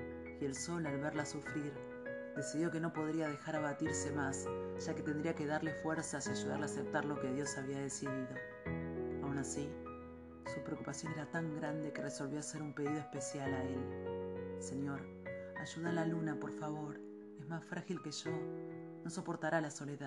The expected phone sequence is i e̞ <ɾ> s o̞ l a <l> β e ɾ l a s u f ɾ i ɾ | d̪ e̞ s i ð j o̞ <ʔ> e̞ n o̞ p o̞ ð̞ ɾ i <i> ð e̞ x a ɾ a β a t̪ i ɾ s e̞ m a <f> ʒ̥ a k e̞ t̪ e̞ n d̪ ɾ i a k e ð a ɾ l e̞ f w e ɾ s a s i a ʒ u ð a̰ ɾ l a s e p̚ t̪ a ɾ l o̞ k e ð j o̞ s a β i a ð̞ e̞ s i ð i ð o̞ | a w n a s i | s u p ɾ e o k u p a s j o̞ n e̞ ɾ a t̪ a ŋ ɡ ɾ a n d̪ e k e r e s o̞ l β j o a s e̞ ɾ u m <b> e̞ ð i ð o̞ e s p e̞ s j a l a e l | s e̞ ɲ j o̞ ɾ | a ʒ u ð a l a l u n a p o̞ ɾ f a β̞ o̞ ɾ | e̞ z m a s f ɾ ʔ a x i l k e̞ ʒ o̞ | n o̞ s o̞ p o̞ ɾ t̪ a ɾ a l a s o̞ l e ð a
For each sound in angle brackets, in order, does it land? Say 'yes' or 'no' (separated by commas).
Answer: no, yes, no, no, no, no